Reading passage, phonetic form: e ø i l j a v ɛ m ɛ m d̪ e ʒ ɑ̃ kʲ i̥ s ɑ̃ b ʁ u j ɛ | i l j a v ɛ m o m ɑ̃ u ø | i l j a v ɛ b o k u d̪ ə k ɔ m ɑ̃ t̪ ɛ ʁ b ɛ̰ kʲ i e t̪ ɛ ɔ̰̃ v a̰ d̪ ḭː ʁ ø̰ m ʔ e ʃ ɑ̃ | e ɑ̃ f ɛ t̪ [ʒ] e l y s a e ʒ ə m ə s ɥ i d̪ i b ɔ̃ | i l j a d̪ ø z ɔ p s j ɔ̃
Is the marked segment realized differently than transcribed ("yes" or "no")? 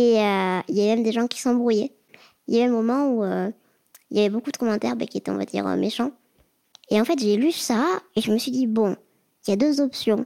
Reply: no